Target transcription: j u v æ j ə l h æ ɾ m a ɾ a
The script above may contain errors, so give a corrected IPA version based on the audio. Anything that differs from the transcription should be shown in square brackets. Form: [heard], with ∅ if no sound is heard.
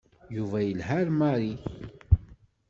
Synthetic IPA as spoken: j u v æ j ə l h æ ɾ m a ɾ [i]